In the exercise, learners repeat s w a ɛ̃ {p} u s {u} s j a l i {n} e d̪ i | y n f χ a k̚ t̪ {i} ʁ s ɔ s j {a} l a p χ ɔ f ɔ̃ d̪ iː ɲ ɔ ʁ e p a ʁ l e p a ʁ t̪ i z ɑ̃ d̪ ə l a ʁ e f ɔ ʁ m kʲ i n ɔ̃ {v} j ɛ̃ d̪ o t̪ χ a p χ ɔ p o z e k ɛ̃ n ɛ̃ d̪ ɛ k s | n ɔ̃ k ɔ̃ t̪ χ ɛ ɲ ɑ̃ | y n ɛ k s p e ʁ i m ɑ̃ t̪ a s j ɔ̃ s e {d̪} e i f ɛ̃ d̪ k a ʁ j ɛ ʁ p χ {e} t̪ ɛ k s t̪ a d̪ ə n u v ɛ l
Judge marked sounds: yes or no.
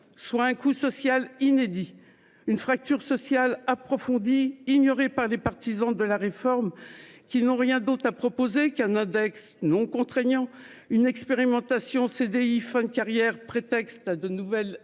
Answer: no, no, yes, no, yes, no, yes, yes

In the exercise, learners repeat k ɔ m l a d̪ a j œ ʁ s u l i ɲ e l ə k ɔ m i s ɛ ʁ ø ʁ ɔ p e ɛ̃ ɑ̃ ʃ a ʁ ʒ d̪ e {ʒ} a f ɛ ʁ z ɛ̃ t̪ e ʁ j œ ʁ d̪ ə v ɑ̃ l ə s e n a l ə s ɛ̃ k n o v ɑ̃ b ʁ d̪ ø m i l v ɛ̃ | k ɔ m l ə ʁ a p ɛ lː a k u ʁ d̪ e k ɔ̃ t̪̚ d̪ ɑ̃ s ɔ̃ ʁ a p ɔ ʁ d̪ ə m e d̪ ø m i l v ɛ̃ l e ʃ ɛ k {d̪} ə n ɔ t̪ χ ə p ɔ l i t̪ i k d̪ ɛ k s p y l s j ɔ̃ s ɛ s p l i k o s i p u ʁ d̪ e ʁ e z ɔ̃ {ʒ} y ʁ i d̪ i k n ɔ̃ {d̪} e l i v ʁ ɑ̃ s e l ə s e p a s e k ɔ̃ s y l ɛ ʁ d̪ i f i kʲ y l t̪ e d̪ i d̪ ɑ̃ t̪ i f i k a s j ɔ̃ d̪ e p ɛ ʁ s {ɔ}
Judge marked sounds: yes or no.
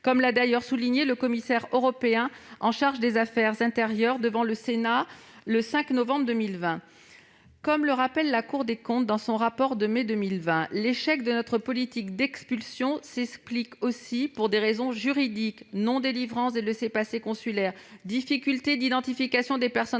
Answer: no, yes, yes, yes, yes

